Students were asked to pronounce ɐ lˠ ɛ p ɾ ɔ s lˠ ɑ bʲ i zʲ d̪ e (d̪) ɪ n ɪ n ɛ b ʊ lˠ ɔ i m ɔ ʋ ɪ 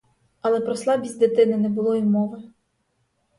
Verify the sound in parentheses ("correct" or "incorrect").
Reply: incorrect